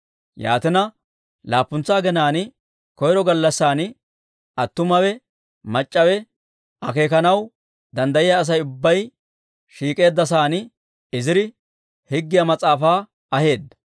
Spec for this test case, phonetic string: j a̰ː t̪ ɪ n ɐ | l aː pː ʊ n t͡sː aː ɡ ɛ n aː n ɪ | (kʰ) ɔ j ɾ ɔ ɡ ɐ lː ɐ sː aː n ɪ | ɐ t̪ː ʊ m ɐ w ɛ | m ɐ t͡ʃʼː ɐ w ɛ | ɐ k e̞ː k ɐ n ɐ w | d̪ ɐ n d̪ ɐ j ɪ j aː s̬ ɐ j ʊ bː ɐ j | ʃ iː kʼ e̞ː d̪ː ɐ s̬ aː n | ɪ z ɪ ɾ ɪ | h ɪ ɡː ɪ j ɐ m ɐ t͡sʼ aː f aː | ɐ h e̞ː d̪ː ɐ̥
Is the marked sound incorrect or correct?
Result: incorrect: k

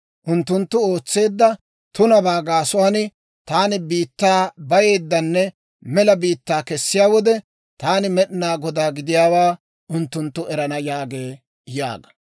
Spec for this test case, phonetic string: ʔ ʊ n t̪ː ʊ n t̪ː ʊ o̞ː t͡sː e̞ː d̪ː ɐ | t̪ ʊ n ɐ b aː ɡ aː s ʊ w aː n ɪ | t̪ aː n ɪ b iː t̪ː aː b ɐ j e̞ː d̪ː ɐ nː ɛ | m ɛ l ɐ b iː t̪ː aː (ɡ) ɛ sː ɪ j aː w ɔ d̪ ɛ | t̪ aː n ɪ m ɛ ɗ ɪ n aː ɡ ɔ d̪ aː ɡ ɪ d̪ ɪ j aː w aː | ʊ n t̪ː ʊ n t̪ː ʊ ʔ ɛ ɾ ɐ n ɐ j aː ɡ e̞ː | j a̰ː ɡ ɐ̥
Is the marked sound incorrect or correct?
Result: incorrect: k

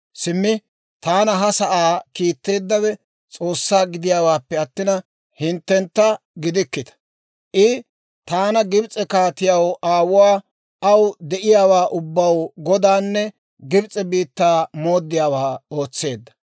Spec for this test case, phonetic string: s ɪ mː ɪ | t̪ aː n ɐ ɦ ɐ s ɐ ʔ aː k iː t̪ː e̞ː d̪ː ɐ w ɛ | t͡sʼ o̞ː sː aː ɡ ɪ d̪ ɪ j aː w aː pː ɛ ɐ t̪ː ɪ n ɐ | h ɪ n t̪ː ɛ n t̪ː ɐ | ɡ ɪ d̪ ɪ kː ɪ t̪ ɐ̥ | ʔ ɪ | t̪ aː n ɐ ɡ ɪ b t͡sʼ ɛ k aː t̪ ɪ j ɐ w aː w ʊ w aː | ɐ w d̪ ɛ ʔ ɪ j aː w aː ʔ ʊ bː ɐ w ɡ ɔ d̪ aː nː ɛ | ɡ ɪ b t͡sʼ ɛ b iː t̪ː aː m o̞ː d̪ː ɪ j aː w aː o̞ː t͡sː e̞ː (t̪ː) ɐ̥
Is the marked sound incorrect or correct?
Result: incorrect: d̪ː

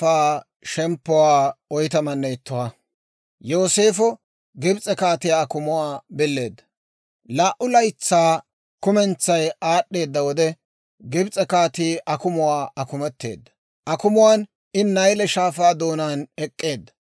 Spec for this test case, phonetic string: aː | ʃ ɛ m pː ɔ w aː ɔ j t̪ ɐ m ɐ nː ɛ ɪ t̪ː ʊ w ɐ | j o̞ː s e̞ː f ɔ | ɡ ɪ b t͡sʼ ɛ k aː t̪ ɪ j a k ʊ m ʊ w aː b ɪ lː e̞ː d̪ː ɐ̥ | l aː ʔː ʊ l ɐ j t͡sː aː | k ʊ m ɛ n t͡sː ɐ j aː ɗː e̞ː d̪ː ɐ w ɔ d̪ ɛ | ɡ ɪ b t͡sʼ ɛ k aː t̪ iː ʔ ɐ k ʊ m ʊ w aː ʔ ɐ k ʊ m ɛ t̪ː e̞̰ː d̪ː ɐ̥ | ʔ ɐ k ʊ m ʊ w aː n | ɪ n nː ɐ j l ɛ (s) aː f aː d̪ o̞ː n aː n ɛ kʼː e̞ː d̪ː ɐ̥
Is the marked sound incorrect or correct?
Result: incorrect: ʃ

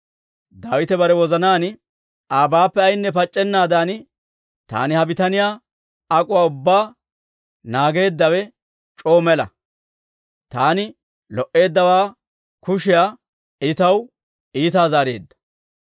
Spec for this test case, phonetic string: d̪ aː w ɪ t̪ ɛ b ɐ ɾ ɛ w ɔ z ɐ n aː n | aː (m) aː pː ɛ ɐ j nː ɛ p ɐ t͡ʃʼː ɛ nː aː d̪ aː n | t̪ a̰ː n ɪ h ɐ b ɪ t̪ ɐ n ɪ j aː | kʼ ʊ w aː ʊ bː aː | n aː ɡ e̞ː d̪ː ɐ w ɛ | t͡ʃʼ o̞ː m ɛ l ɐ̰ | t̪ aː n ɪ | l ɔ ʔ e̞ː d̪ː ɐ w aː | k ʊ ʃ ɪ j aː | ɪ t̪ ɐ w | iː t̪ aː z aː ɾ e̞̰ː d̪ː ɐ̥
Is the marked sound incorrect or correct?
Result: incorrect: b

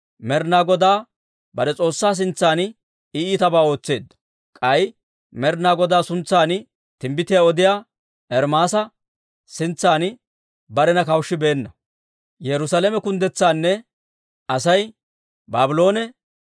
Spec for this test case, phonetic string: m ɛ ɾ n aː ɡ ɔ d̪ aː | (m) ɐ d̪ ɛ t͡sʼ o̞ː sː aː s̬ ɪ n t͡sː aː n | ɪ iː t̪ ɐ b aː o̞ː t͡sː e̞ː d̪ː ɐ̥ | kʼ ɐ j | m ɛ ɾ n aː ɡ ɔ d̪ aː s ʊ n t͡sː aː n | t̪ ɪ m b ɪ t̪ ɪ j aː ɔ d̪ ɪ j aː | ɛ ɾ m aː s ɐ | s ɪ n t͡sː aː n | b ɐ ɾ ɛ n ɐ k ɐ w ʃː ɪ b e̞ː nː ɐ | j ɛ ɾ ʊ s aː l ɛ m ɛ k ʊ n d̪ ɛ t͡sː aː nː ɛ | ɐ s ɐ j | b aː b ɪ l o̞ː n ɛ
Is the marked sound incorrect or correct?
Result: incorrect: b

